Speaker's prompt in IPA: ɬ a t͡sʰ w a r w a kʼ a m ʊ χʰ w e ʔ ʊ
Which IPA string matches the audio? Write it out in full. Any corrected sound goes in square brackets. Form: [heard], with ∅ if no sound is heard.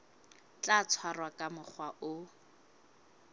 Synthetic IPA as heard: [t͡ɬ] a t͡sʰ w a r w a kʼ a m ʊ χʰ w [a] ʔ ʊ